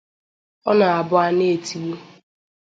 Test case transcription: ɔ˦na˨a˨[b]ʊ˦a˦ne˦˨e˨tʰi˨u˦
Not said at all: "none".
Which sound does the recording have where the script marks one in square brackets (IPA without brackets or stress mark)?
b